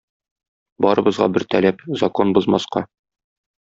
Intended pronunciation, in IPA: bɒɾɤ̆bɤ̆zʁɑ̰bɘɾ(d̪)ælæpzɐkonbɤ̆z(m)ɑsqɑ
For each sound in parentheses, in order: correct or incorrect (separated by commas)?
incorrect, correct